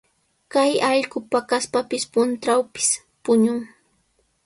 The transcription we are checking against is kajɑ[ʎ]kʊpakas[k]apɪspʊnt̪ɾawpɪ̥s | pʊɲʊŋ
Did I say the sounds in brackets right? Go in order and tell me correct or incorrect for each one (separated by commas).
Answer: correct, incorrect